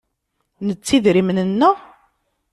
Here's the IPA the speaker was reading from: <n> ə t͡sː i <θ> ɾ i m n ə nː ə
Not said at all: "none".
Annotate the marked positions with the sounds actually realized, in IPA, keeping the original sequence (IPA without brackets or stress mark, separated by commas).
n, ð